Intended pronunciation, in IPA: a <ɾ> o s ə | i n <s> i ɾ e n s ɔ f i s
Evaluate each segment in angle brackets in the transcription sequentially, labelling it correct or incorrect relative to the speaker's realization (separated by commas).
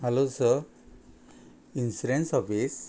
incorrect, correct